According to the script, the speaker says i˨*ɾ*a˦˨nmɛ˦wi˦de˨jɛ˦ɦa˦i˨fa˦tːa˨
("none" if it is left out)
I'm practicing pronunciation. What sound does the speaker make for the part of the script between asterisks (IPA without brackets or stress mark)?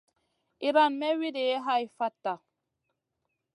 ɾ